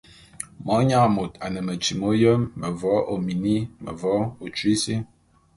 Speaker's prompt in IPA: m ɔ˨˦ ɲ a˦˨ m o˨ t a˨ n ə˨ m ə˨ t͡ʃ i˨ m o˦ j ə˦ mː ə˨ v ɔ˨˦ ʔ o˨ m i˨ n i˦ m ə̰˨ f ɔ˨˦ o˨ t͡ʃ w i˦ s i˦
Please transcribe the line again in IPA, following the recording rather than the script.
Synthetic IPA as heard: m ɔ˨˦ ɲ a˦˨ m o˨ t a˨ n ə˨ m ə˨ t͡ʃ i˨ m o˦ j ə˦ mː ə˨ v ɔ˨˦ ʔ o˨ m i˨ n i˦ m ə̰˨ v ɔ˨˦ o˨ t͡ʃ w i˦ s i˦